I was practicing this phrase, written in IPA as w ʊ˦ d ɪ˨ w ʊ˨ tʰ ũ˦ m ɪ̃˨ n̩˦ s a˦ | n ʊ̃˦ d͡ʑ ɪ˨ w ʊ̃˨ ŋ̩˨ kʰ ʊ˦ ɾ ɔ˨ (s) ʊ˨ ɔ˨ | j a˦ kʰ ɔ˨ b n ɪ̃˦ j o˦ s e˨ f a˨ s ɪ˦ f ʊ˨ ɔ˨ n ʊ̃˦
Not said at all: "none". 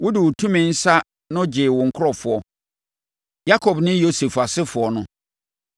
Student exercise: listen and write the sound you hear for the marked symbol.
f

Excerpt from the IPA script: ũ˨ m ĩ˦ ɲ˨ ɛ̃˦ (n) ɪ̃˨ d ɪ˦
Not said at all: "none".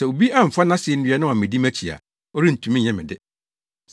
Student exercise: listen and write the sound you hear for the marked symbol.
m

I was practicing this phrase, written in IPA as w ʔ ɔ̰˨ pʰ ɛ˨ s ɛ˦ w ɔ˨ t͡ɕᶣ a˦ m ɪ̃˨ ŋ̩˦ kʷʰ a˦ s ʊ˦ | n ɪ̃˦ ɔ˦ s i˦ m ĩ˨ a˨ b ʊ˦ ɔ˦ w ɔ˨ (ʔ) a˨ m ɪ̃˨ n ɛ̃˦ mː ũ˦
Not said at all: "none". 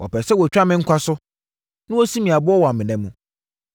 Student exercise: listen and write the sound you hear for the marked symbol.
none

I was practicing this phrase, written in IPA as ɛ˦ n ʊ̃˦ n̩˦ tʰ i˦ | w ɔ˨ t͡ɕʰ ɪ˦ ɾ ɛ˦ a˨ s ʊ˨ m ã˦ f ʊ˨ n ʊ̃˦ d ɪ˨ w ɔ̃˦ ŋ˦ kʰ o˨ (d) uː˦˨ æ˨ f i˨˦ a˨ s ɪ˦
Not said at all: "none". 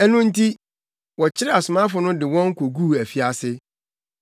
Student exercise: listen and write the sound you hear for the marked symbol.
ɡ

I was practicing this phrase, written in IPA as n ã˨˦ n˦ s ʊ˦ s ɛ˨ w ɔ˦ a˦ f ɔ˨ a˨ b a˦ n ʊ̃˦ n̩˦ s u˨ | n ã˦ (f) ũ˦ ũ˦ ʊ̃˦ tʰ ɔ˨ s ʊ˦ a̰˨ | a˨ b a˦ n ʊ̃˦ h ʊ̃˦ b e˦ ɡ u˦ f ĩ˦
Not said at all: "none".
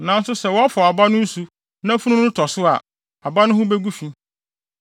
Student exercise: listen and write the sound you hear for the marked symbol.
f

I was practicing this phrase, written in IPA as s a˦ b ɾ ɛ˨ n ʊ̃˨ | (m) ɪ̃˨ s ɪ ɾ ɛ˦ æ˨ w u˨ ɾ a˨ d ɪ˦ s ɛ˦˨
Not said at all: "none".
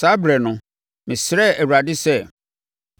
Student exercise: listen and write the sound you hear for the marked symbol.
m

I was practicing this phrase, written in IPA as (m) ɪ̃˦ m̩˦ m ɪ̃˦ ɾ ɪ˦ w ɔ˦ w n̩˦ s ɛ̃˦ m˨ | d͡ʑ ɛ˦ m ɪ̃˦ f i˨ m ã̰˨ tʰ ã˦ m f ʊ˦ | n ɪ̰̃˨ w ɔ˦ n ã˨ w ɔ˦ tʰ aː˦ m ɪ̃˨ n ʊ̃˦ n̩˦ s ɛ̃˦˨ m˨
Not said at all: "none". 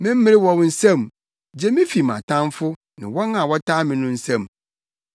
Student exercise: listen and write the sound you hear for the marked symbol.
m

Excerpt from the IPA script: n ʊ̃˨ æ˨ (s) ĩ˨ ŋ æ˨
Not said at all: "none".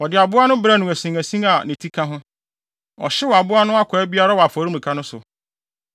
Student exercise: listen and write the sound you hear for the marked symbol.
s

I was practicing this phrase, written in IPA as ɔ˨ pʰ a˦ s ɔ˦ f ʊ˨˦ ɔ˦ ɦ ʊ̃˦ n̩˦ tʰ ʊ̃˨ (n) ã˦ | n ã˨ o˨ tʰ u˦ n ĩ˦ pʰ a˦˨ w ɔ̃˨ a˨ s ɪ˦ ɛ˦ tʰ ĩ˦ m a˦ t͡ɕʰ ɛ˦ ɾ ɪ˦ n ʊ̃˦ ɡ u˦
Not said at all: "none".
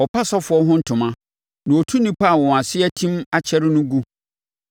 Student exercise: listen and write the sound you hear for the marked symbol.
m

